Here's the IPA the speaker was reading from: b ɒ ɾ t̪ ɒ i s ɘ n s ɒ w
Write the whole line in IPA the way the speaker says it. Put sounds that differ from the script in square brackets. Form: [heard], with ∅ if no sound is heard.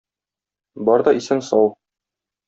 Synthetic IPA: b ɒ ɾ [d̪] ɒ i s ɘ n s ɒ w